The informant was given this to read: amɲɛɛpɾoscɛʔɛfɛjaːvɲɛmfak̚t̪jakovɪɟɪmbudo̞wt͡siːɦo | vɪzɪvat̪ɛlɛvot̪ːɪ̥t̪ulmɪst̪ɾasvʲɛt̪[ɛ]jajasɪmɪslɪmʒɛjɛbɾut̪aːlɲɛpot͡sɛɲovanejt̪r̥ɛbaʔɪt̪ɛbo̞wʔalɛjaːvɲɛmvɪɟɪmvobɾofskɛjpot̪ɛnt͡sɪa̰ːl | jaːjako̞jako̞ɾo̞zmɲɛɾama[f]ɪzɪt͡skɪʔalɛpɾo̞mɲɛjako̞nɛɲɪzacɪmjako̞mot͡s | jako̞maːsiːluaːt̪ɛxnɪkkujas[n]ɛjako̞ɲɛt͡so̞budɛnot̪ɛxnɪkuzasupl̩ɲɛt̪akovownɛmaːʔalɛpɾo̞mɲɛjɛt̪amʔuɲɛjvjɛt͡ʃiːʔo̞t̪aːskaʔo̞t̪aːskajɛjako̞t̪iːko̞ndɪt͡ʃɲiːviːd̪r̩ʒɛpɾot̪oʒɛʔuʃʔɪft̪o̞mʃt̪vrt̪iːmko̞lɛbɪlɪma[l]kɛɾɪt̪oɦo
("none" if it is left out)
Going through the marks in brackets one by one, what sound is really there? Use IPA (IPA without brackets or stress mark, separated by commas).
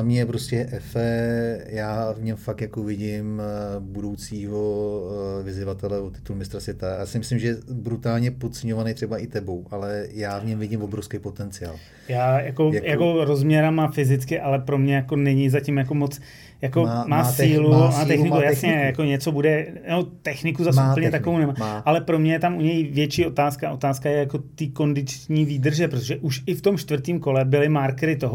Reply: a, f, ɲ, ɾ